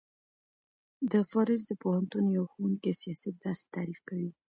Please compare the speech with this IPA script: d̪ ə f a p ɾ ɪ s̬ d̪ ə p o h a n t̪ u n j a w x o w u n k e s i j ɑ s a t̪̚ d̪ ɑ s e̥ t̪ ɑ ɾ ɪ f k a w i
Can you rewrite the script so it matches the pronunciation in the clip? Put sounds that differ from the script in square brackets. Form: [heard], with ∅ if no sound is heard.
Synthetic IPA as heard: d̪ ə f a [∅] ɾ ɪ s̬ d̪ ə p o h a n t̪ u n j a w x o w u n k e s i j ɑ s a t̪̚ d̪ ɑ s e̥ t̪ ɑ ɾ [i] f k a w i